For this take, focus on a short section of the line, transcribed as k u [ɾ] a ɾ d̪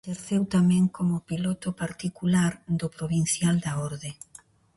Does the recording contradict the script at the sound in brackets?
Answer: yes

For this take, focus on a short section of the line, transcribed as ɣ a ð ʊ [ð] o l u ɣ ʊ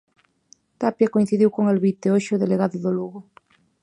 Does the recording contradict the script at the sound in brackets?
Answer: no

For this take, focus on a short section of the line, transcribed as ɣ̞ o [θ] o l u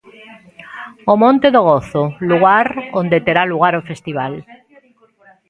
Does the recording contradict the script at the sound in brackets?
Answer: no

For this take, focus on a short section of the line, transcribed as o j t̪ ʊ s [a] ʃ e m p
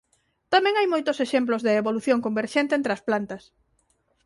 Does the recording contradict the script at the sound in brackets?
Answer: yes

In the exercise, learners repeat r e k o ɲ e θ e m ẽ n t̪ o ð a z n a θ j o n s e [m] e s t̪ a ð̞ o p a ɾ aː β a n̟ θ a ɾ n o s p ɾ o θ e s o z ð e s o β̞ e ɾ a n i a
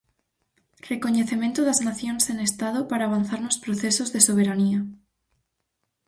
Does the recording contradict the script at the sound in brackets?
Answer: yes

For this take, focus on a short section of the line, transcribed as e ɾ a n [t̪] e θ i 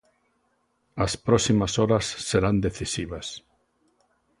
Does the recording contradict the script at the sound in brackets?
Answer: yes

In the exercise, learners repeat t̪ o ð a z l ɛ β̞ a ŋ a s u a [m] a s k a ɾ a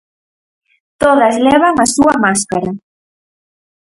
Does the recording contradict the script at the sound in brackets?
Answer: no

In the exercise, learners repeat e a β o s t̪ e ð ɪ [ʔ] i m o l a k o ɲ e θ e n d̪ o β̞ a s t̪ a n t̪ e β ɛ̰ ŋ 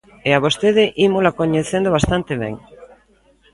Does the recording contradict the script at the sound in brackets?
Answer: no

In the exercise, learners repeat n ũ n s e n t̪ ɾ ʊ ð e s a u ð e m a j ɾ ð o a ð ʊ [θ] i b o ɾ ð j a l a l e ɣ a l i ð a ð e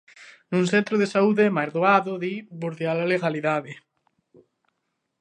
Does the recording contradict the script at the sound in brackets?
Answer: yes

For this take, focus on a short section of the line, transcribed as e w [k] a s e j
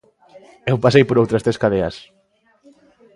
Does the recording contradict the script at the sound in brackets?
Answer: yes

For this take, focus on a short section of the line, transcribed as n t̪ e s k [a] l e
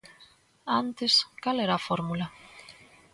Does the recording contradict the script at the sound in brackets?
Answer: no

